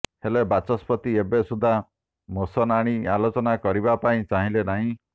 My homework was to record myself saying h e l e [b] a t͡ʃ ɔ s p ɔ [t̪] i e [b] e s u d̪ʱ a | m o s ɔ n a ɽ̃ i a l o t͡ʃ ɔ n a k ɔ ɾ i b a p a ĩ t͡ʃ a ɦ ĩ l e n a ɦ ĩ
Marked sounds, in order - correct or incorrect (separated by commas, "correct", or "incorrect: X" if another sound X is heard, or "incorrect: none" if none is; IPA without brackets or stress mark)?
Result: correct, correct, correct